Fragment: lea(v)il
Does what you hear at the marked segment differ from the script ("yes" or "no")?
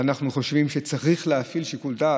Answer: yes